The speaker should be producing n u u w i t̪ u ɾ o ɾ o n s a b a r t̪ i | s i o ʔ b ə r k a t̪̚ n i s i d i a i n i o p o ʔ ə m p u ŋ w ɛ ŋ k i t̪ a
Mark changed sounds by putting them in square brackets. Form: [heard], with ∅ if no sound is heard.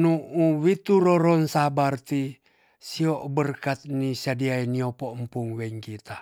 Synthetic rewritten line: n u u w i t̪ u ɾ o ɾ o n s a b a r t̪ i | s i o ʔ b ə r k a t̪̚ n i s [a] d i a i n i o p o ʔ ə m p u ŋ w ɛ ŋ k i t̪ a

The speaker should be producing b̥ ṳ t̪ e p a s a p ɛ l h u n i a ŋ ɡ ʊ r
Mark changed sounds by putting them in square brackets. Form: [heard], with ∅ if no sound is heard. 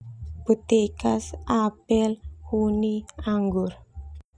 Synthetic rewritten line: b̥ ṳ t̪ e [k] a s a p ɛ l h u n i a ŋ ɡ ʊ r

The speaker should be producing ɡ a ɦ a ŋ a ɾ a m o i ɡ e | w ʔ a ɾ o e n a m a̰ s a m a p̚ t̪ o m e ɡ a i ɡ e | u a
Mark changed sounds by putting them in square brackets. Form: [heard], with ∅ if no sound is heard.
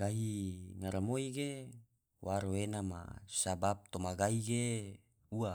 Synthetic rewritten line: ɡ a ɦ [i] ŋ a ɾ a m o i ɡ e | w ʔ a ɾ o e n a m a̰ s a [b] a p̚ t̪ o m [a] ɡ a i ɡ e | u a

